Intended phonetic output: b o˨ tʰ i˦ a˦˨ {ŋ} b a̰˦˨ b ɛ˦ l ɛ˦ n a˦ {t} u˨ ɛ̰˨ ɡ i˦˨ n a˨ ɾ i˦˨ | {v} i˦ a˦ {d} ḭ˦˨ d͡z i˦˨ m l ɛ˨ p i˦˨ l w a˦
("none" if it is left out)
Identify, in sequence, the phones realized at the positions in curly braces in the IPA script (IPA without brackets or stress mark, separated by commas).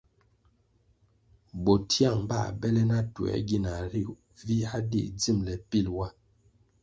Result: ŋ, t, v, d